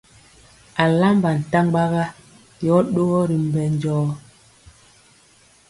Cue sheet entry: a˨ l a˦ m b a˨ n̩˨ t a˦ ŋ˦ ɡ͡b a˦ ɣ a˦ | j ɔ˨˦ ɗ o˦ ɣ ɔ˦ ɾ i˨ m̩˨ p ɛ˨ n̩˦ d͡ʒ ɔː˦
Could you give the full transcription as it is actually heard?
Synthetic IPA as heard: a˨ l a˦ m b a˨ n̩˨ t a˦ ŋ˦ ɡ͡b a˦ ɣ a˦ | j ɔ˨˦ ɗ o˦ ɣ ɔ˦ ɾ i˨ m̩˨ b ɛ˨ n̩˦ d͡ʒ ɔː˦

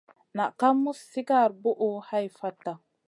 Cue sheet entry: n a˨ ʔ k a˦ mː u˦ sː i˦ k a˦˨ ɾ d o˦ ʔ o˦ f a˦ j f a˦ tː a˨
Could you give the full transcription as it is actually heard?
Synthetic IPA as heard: n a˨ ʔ k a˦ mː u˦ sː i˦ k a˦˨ ɾ b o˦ ʔ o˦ h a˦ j f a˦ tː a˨

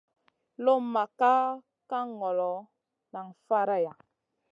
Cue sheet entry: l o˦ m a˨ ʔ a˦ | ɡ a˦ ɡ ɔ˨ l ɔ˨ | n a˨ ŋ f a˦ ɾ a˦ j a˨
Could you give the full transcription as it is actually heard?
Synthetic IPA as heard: l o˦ m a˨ k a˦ | k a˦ ŋ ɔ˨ l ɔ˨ | n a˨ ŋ f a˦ ɾ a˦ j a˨

